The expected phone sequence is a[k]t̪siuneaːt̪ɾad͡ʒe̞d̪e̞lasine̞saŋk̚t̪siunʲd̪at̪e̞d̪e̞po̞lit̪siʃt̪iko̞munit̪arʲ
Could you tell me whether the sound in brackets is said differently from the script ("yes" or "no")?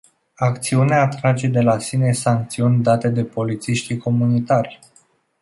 no